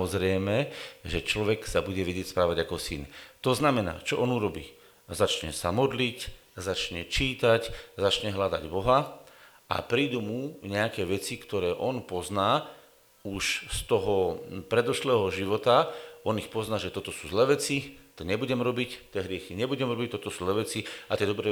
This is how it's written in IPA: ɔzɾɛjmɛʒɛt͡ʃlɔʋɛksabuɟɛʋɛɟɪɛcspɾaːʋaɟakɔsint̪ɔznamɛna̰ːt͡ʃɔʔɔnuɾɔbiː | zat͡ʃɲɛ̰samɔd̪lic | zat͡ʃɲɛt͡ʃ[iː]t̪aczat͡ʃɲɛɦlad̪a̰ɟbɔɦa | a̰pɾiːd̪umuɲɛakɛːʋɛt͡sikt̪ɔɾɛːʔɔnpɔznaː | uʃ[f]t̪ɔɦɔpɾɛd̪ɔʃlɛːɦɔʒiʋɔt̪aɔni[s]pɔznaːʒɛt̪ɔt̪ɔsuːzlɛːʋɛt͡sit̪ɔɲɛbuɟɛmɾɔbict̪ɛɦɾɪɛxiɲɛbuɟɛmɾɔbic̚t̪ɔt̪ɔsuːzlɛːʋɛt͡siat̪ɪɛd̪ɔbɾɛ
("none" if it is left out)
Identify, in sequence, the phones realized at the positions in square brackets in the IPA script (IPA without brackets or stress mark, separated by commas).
iː, s, x